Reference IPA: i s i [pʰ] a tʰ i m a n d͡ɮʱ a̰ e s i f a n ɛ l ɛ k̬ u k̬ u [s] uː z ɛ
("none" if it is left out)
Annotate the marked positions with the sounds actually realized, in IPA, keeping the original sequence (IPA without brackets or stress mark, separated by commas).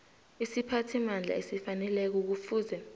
pʰ, f